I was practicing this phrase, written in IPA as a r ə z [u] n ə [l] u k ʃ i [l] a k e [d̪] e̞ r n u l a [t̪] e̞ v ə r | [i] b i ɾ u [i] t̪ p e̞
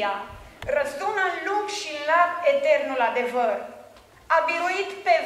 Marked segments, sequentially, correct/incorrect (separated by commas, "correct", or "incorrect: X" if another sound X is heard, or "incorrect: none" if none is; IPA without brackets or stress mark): correct, correct, correct, incorrect: t̪, incorrect: d̪, incorrect: a, correct